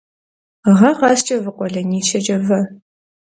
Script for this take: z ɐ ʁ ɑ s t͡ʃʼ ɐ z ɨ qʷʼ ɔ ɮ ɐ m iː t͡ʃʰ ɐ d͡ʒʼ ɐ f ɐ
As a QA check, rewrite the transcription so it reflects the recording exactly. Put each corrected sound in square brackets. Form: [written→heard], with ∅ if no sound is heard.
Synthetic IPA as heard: [z→ʁ] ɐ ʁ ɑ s t͡ʃʼ ɐ [z→v] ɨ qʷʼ ɔ ɮ ɐ [m→n] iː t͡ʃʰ ɐ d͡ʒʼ ɐ [f→v] ɐ